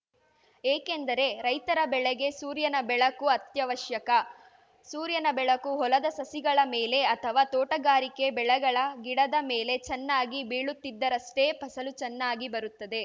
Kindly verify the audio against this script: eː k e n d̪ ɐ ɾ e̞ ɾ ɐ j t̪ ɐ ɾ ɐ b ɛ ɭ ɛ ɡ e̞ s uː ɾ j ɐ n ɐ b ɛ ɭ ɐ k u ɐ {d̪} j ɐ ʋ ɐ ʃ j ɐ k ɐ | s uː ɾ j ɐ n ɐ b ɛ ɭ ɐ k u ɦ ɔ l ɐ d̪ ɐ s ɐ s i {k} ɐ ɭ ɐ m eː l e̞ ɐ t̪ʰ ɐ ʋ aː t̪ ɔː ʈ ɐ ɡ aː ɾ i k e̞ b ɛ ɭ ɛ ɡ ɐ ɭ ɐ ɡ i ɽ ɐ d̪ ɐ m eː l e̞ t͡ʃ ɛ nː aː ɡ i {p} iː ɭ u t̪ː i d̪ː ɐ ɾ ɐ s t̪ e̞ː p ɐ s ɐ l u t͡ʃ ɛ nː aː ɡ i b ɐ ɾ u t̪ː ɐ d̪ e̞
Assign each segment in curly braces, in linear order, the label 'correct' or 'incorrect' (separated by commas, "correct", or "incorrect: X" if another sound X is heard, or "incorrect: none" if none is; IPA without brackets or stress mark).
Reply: incorrect: t̪, incorrect: ɡ, incorrect: b